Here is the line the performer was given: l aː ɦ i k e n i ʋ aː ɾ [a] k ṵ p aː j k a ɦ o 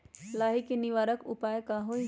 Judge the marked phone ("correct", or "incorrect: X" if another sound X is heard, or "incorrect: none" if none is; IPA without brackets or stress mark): incorrect: ə